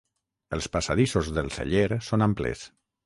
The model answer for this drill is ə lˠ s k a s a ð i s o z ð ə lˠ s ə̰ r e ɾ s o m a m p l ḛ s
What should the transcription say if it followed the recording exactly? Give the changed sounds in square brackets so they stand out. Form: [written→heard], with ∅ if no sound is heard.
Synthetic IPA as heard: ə lˠ s [k→p] a s a ð i s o z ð ə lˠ s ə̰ [r→ʎ] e ɾ s o [m→n] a m p l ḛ s